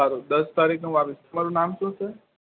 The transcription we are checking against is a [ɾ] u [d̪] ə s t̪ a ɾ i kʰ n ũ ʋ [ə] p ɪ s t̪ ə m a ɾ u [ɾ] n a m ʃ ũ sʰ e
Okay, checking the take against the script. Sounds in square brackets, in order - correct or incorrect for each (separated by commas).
correct, correct, incorrect, incorrect